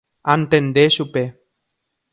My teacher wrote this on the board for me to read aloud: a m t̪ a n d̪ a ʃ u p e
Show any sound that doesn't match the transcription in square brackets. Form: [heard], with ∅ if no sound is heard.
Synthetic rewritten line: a [n] t̪ [e] n d̪ [e] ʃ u p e